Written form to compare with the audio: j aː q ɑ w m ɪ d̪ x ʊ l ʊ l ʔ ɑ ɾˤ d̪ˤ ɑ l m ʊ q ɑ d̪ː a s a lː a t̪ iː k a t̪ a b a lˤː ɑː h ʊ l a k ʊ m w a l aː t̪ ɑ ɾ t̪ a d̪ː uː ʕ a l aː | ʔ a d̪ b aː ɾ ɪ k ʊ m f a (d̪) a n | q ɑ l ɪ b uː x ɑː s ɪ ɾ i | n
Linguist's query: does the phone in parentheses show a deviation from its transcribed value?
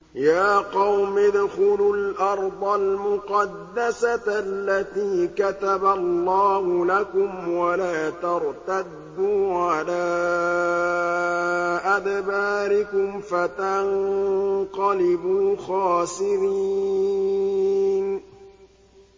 yes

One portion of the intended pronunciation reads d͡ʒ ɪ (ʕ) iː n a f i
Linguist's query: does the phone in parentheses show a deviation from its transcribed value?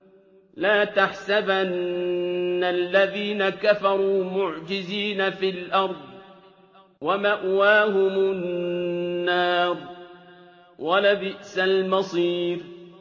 yes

